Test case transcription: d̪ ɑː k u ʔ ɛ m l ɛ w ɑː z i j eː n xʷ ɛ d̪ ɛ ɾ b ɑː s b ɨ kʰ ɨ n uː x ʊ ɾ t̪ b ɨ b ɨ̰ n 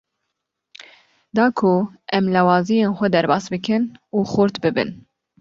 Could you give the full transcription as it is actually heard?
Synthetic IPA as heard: d̪ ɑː kʰ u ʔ ɛ m l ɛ w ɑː z i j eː n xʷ ɛ d̪ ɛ ɾ b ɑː s b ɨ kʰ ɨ n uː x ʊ ɾ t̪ b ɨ b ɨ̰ n